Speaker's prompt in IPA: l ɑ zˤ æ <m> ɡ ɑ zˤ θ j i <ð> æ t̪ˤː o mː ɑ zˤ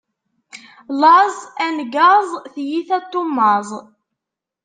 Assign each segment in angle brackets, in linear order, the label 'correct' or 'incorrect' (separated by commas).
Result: incorrect, incorrect